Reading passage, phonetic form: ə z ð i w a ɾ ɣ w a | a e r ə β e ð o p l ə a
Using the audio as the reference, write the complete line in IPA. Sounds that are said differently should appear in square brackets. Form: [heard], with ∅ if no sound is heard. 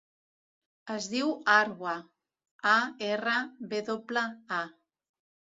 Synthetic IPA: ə z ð i w a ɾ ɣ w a | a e r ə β e ð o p l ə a

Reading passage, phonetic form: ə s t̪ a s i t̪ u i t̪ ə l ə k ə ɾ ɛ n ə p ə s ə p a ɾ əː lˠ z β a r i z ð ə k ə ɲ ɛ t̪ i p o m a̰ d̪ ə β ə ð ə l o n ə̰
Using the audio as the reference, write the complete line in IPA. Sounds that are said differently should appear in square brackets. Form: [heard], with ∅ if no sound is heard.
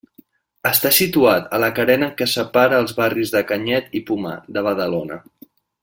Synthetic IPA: ə s t̪ a s i t̪ u [a] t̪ ə l ə k ə ɾ ɛ n ə [k] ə s ə p a ɾ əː lˠ z β a r i z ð ə k ə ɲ ɛ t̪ i p [u] m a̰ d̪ ə β ə ð ə l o n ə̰

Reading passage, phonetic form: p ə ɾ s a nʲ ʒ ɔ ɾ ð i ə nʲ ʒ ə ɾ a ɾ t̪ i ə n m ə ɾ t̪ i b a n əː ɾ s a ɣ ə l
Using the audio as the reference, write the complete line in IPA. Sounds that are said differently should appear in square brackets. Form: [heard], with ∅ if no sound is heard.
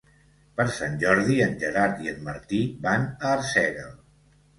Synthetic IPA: p ə ɾ s a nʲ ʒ ɔ ɾ ð i ə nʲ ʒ ə ɾ a ɾ t̪ i ə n m ə ɾ t̪ i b a n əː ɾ s [ɛ] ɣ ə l

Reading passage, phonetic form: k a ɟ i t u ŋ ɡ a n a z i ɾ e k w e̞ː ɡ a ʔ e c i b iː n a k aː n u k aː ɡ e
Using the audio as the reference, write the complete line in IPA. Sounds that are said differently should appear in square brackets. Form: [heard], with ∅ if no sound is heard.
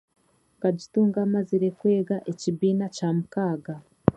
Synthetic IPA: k a ɟ i t [uː] ŋ ɡ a [m] a z i ɾ e k w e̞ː ɡ a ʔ e c i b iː n a [c] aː [m] u k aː ɡ [a]

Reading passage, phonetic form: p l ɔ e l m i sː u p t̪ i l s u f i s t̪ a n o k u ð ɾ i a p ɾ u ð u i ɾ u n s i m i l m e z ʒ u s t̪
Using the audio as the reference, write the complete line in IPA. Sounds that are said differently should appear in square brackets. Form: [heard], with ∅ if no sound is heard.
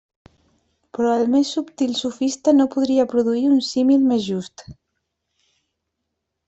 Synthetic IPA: p [ɾ] ɔ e l m [e] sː u p t̪ i l s u f i s t̪ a n o [p] u ð ɾ i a p ɾ u ð u i ɾ u n s i m i l m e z ʒ u s t̪

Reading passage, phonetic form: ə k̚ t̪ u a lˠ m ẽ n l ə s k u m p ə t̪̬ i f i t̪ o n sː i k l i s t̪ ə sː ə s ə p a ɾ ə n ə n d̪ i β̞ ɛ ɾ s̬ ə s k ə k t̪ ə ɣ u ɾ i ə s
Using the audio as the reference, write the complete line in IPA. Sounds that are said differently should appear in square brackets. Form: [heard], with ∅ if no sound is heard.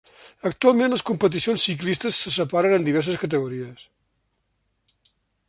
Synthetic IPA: ə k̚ t̪ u a lˠ m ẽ n l ə s k u m p ə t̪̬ i [s] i [∅] o n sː i k l i s t̪ ə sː ə s ə p a ɾ ə n ə n d̪ i β̞ ɛ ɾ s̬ ə s k ə [∅] t̪ ə ɣ u ɾ i ə s

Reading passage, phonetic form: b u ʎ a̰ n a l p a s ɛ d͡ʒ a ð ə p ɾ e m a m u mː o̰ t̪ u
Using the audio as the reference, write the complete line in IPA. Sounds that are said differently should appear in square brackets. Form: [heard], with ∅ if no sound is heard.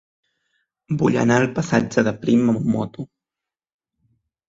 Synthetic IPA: b u ʎ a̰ n a l p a s [a] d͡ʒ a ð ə p ɾ [i] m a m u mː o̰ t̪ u

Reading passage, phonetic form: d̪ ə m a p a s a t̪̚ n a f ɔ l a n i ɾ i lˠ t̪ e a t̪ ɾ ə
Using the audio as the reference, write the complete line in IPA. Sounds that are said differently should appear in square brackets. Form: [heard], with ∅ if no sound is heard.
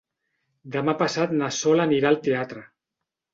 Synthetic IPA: d̪ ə m a p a s a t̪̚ n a [s] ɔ l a n i ɾ [a] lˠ t̪ e a t̪ ɾ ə

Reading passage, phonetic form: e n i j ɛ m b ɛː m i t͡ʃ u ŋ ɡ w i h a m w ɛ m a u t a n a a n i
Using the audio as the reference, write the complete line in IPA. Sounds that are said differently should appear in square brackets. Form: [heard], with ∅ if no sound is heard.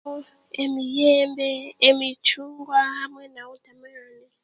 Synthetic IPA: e [m] i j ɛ m b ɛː m i t͡ʃ u ŋ ɡ w [a] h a m w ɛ [n] a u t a [m] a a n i

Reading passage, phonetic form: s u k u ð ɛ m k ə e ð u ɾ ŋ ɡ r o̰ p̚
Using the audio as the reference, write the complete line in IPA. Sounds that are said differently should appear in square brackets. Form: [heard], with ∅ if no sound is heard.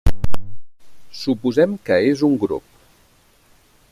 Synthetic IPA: s u [p] u [z] ɛ m k ə e [z] u [∅] ŋ ɡ [ɾ] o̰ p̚

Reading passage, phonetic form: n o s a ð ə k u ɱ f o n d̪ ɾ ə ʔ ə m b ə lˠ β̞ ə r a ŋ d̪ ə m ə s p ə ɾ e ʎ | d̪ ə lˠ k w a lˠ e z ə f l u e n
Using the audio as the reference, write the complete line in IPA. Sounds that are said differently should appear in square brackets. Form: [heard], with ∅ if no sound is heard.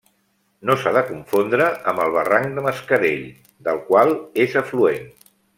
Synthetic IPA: n o s a ð ə k u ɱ f o n d̪ ɾ ə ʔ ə m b ə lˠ β̞ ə r a ŋ d̪ ə m ə s [k] ə ɾ e ʎ | d̪ ə lˠ k w a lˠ e z ə f l u e n

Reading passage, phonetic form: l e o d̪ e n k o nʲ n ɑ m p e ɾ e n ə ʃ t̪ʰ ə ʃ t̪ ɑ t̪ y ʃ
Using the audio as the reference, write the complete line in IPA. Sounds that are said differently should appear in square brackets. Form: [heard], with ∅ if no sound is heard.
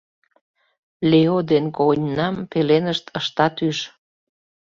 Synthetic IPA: l e o d̪ e n k o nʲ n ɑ m p e [l] e n ə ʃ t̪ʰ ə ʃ t̪ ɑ t̪ y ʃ

